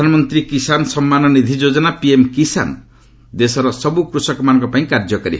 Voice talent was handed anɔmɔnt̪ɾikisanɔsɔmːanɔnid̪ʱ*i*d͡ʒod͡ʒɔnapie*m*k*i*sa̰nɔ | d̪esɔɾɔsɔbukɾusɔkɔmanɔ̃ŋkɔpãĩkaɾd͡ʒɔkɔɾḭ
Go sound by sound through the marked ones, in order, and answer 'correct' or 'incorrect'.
correct, correct, correct

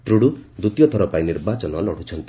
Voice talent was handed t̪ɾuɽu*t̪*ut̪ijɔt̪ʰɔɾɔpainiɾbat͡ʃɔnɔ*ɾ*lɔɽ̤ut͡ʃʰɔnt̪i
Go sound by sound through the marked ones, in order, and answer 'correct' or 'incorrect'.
incorrect, incorrect

